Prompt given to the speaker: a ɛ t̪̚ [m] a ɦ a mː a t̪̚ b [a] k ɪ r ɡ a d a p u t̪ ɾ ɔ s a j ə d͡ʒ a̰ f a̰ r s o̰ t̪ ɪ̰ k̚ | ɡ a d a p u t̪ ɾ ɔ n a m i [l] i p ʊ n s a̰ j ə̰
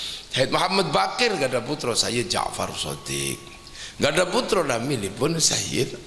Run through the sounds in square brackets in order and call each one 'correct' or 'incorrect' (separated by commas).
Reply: correct, correct, correct